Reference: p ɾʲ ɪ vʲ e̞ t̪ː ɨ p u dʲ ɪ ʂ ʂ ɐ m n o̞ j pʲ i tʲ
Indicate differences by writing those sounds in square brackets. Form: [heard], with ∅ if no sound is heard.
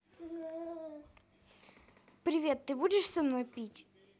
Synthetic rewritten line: p ɾʲ ɪ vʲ e̞ t̪ː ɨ [b] u dʲ ɪ ʂ [s] ɐ m n o̞ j pʲ i tʲ